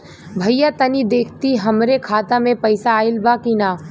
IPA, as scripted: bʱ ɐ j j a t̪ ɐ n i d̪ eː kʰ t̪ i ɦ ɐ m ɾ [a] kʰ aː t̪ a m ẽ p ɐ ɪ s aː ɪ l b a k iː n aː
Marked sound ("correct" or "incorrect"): incorrect